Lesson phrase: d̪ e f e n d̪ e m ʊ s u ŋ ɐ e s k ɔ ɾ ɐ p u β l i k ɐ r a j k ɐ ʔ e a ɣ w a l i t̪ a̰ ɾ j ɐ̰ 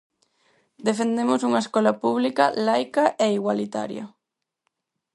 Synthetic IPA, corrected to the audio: d̪ e f e n d̪ e m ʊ s u ŋ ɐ e s k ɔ l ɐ p u β l i k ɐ l a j k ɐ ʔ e i ɣ w a l i t̪ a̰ ɾ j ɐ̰